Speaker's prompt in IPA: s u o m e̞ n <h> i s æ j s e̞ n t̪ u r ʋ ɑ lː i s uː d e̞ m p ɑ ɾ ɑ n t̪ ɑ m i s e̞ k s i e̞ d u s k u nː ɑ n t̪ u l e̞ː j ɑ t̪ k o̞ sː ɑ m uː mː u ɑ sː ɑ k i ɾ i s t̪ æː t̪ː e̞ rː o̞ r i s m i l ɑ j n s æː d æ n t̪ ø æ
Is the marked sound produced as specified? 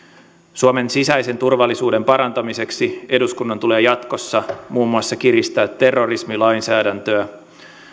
no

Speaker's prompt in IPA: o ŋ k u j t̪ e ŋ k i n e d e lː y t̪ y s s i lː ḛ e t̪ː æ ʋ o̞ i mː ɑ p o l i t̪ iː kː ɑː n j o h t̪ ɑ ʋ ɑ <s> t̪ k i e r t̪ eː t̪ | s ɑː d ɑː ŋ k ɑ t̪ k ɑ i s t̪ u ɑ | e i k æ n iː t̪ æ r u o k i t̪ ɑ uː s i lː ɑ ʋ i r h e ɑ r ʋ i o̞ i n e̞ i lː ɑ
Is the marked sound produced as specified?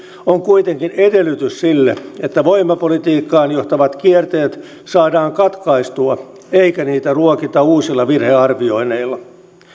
no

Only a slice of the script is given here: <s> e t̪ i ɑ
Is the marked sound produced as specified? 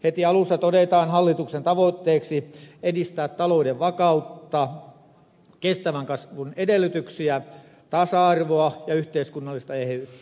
no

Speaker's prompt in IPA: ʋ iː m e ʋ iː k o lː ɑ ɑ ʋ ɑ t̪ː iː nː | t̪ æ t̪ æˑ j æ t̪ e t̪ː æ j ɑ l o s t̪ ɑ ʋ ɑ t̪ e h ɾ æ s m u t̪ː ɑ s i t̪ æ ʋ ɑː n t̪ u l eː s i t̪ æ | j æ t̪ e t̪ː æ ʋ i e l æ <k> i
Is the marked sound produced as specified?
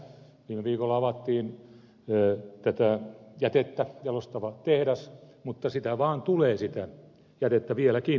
yes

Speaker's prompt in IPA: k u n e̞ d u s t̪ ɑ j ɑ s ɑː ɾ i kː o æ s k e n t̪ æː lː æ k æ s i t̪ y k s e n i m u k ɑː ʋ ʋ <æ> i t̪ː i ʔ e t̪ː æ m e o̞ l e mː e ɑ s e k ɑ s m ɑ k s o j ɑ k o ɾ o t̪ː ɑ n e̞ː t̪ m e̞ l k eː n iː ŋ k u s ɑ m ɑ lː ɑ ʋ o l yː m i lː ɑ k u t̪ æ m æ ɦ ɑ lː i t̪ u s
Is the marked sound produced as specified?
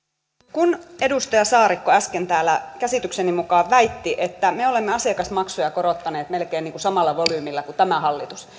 yes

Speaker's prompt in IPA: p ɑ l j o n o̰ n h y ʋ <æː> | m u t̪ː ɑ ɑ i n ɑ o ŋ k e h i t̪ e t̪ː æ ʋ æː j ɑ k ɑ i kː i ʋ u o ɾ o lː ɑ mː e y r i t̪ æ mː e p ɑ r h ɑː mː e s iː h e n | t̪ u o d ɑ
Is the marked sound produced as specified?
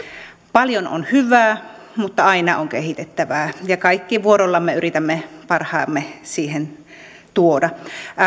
yes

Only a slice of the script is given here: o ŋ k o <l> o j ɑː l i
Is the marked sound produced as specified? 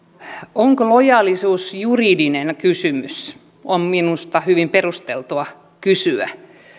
yes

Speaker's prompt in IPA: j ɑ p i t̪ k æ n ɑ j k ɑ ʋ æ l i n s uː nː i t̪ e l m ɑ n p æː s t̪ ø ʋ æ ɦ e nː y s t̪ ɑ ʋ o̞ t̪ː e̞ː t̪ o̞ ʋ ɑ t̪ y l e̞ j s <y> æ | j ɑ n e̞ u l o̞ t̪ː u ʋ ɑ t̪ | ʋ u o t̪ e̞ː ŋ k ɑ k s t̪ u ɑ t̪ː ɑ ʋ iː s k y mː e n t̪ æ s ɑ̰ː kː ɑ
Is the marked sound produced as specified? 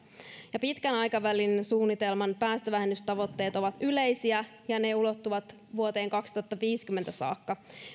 no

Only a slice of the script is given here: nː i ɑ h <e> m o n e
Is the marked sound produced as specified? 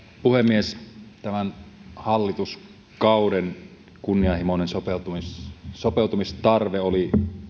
no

